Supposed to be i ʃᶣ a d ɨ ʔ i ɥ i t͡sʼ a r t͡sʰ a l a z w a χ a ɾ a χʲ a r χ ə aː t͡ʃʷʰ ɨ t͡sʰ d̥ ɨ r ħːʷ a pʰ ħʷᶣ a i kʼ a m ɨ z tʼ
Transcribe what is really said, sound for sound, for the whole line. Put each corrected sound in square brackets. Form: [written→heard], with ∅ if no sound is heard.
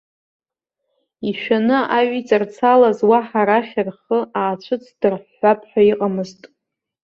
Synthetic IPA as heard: i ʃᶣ a [d→n] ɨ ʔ [i→a] ɥ i t͡sʼ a r t͡sʰ a l a z w a [χ→ħ] a ɾ a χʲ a r χ ə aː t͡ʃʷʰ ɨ t͡sʰ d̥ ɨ r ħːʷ a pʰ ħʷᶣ a i [kʼ→qʼ] a m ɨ z tʼ